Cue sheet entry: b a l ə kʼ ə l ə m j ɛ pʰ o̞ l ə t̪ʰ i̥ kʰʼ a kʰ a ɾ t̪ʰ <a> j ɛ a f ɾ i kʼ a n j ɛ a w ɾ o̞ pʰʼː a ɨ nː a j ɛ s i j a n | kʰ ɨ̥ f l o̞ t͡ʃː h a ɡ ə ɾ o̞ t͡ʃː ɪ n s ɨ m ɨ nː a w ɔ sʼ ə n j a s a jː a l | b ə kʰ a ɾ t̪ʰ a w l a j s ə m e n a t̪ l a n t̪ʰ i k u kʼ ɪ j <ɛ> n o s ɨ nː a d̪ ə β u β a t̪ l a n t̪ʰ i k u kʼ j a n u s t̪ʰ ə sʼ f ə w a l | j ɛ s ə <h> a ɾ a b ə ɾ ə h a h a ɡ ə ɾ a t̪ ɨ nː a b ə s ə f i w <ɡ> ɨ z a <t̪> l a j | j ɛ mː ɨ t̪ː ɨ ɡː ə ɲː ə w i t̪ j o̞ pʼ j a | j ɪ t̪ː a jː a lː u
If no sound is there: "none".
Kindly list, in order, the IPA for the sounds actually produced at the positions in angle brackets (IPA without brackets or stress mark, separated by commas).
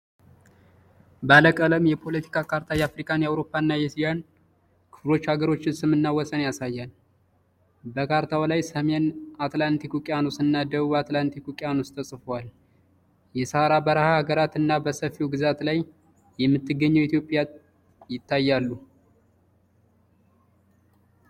a, a, h, ɡ, t̪